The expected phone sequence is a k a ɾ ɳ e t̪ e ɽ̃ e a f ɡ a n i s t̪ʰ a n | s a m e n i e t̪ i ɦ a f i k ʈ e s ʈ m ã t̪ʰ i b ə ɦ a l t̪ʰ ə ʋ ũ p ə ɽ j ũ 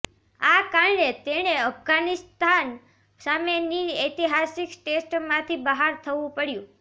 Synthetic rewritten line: a k a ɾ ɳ e t̪ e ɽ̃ e ə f ɡ a n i s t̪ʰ a n | s a m e n i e t̪ i ɦ a s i k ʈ e s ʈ m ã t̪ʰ i b ə ɦ a ɾ t̪ʰ ə ʋ ũ p ə ɽ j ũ